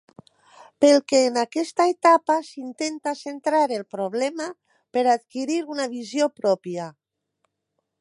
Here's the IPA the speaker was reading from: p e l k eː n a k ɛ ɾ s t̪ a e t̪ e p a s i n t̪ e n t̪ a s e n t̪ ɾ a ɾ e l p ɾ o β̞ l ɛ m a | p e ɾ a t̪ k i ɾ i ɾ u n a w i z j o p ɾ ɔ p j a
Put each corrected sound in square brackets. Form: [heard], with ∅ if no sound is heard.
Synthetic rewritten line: p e l k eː n a k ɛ [∅] s t̪ a e t̪ [a] p a s i n t̪ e n t̪ a s e n t̪ ɾ a ɾ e l p ɾ o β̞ l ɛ m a | p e ɾ a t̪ k i ɾ i ɾ u n a [β] i z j o p ɾ ɔ p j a